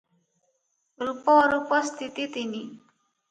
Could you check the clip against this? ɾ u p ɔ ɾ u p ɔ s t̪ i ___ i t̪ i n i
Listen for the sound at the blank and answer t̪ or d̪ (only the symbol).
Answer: t̪